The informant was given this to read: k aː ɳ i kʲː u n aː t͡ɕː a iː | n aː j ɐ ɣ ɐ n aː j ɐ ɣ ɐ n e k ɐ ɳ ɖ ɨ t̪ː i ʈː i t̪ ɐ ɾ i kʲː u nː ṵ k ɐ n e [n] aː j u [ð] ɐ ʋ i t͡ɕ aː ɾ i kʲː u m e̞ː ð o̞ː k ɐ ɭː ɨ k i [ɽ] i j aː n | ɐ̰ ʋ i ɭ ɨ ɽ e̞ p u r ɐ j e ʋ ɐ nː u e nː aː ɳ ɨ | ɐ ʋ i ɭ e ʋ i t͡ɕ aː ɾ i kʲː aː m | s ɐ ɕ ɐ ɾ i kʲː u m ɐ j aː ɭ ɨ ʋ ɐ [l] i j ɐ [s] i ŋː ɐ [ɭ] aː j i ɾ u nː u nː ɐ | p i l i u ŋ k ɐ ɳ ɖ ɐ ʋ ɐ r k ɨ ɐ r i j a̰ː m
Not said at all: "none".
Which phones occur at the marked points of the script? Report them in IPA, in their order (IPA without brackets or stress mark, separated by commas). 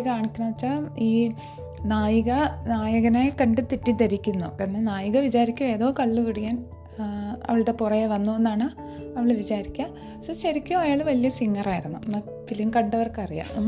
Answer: n, ɣ, ɽ, l, s, r